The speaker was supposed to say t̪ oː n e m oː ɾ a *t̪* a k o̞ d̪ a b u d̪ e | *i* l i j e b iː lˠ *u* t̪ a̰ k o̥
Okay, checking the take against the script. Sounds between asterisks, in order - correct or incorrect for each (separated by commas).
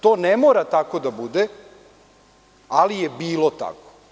correct, incorrect, incorrect